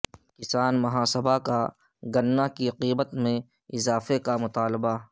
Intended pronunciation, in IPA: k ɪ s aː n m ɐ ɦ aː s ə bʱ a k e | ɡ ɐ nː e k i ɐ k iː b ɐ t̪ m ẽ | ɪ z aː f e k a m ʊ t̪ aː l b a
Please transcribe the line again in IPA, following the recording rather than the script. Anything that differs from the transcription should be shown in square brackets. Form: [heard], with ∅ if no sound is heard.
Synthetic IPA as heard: k ɪ s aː n m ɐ ɦ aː s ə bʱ a k [a] | ɡ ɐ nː [a] k i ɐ [q] iː b [ə] t̪ m ẽ | ɪ z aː f e k a m ʊ t̪ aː l b a